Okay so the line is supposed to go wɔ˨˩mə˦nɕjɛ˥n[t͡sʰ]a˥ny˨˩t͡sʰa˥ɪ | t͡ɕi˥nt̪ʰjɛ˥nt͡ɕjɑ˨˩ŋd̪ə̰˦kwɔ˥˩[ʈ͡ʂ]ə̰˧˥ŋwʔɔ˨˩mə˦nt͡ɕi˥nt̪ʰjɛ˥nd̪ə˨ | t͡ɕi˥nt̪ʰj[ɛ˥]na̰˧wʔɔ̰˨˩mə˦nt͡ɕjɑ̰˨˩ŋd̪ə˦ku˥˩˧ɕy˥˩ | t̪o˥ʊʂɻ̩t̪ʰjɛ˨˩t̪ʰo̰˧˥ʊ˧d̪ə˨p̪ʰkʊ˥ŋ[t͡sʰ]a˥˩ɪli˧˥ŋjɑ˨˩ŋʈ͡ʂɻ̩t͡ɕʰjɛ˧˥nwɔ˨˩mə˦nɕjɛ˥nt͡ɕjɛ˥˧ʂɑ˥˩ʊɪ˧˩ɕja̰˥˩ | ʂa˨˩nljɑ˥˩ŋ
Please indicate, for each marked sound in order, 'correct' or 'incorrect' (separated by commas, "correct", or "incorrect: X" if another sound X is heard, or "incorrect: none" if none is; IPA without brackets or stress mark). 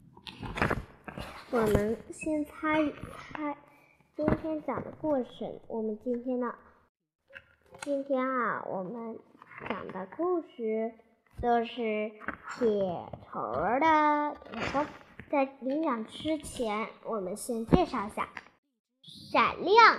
correct, incorrect: ʈ͡ʂʰ, correct, incorrect: t͡s